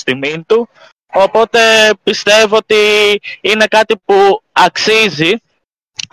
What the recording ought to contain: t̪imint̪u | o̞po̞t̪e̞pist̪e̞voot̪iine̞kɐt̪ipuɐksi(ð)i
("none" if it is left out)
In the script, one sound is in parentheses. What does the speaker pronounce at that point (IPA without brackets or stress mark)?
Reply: z